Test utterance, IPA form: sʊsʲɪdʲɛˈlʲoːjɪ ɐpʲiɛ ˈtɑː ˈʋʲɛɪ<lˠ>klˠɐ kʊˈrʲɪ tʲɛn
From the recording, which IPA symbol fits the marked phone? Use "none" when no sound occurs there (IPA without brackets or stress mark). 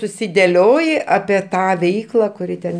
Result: none